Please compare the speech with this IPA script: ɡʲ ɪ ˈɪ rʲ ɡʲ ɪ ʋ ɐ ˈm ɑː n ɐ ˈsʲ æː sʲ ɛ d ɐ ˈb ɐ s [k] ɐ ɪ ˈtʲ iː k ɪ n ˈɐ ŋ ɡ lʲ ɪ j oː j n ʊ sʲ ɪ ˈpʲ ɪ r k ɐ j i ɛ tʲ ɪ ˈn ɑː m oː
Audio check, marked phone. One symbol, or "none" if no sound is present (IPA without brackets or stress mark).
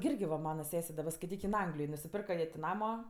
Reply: k